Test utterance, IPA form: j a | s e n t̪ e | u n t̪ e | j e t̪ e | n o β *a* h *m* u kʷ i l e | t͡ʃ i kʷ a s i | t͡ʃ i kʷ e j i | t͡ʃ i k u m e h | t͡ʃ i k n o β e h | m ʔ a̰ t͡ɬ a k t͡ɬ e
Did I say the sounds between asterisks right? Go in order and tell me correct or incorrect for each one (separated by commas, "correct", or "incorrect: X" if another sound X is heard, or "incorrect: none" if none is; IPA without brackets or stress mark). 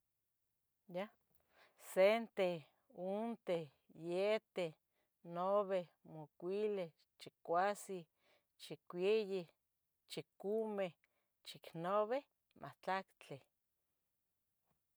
incorrect: e, correct